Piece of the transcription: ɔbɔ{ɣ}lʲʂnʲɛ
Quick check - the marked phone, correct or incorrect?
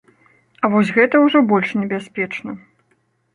incorrect